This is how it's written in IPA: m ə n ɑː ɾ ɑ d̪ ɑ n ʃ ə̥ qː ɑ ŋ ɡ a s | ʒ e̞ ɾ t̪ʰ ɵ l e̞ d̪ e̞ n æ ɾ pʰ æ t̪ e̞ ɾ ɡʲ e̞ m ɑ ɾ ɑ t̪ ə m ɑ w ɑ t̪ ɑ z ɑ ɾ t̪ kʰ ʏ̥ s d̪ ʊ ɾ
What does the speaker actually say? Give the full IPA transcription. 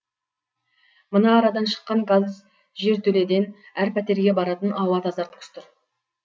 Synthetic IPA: m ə n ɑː ɾ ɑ d̪ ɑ n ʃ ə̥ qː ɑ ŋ ɡ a z | ʒ e̞ ɾ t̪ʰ ɵ l e̞ d̪ e̞ n æ ɾ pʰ æ t̪ e̞ ɾ ɡʲ e̞ b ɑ ɾ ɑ t̪ ə n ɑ w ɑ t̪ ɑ z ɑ ɾ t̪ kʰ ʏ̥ s t̪ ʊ ɾ